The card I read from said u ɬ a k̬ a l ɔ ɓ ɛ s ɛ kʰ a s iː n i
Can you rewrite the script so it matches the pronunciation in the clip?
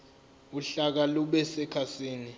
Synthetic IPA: u ɬ a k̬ a l u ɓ ɛ s ɛ kʰ a s iː n i

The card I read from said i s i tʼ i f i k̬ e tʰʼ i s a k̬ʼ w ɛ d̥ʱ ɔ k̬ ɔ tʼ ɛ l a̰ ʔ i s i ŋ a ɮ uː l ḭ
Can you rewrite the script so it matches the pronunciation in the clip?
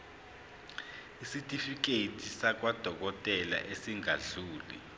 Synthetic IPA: i s i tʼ i f i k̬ e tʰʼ i s a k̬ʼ w a d̥ʱ ɔ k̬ ɔ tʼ ɛ l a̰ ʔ e s i ŋ a ɮ uː l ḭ

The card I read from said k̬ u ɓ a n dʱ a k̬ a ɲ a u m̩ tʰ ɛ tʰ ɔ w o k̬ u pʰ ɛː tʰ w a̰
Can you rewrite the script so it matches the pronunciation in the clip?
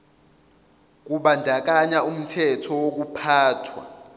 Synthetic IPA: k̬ u ɓ a n dʱ a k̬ a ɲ a u m̩ tʰ ɛ tʰ ɔ w o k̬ u pʰ aː tʰ w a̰

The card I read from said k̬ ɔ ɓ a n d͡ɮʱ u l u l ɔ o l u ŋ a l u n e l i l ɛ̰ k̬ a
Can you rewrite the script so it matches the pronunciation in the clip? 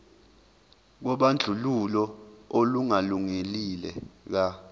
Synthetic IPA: k̬ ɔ ɓ a n d͡ɮʱ u l u l ɔ o l u ŋ a l u ŋ e l i l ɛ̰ k̬ a

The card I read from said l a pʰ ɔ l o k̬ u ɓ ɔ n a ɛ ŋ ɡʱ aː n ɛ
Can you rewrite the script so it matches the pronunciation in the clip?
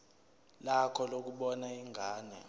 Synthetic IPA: l a kʰ ɔ l o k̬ u ɓ ɔ n a i ŋ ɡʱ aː n ɛ

